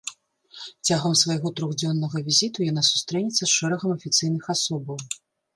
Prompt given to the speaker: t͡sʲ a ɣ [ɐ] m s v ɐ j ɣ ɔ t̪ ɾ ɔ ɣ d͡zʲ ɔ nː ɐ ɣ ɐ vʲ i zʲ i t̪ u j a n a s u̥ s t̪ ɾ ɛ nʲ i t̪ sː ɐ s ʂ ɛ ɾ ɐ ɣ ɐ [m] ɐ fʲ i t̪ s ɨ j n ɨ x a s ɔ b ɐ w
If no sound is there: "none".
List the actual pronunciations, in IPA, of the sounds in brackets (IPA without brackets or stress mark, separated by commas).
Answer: ɐ, m